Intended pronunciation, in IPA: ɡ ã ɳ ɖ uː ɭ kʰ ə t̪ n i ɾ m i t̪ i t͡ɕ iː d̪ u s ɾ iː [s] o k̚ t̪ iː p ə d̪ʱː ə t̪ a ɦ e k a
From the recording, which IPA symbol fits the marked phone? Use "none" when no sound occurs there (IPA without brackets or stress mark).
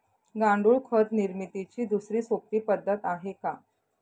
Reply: s